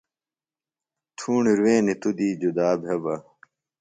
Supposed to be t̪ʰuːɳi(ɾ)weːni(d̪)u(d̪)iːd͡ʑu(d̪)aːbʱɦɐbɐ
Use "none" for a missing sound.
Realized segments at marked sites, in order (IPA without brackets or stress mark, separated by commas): ɾ, t̪, d̪, d̪